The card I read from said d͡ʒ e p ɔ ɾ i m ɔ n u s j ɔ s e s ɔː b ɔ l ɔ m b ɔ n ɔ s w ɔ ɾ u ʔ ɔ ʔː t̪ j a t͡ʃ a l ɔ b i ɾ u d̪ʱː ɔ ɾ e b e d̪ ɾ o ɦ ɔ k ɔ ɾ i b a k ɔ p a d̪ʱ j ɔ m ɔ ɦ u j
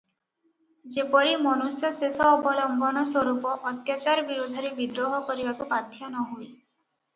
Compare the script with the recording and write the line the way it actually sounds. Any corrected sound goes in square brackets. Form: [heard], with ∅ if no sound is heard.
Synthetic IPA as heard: d͡ʒ e p ɔ ɾ i m ɔ n u s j ɔ s e s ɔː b ɔ l ɔ m b ɔ n ɔ s w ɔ ɾ u [p] ɔ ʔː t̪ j a t͡ʃ a [ɾ] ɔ b i ɾ u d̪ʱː ɔ ɾ e b [i] d̪ ɾ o ɦ ɔ k ɔ ɾ i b a k [u] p a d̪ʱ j ɔ [n] ɔ ɦ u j